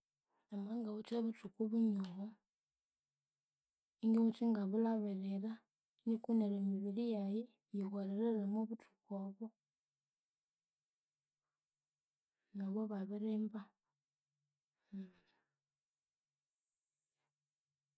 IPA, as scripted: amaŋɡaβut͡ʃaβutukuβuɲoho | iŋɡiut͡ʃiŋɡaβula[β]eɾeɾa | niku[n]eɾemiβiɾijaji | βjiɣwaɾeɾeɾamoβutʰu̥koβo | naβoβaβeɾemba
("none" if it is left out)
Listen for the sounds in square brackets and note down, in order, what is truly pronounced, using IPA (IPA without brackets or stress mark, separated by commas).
β, n